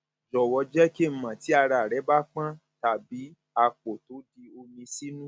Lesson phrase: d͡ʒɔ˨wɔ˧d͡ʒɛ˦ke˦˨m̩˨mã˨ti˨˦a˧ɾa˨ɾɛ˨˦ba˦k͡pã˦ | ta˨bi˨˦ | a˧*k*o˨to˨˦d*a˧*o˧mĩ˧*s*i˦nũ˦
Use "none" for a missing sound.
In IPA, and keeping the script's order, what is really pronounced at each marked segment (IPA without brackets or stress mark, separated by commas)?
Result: k͡p, i˧, s